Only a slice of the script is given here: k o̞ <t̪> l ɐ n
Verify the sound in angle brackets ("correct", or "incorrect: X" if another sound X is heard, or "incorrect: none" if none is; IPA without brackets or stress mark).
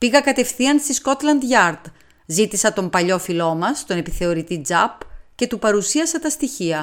correct